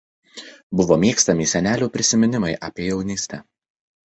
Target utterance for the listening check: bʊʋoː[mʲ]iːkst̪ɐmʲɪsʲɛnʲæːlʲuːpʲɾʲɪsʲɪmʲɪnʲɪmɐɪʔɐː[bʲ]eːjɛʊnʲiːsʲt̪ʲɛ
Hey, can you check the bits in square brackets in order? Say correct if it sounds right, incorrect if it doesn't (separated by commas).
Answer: correct, incorrect